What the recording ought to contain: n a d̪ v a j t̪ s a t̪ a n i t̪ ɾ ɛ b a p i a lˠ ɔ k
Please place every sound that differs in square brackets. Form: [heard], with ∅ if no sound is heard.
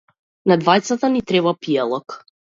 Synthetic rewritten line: n a d̪ v a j t̪ s a t̪ a n i t̪ ɾ ɛ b a p i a lˠ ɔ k